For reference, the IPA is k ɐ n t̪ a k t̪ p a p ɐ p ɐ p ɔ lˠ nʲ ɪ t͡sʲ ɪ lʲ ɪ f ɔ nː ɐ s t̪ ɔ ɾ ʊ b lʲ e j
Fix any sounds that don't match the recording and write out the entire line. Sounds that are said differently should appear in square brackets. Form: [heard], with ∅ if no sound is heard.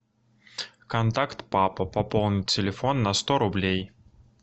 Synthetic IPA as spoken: k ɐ n t̪ a k t̪ p a p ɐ p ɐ p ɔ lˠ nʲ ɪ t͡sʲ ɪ lʲ ɪ f ɔ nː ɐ s t̪ ɔ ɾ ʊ b lʲ e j